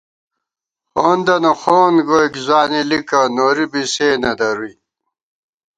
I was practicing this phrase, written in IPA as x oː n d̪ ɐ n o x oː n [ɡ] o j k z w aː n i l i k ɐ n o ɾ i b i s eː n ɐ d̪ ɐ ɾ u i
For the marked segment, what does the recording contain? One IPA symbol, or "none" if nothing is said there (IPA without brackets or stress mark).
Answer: ɡ